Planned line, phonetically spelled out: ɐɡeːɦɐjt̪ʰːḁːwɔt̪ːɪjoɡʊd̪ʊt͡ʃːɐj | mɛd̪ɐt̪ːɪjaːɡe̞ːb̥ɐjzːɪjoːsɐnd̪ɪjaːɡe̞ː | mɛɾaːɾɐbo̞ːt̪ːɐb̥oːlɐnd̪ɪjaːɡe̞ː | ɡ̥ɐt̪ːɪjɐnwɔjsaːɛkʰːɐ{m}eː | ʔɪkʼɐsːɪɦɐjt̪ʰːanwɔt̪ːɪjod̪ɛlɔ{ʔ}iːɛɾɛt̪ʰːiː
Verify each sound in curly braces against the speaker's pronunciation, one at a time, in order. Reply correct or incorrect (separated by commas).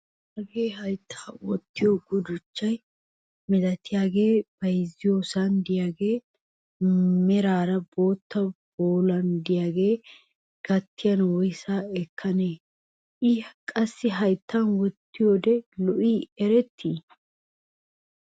incorrect, correct